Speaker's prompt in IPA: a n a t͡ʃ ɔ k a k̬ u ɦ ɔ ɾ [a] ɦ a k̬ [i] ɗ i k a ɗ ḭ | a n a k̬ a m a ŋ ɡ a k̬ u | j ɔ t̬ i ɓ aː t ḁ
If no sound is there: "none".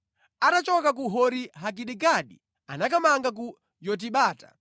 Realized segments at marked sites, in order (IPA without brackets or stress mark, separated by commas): i, i